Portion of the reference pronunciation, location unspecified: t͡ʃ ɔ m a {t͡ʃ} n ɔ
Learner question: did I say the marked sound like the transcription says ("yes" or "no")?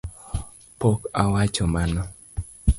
no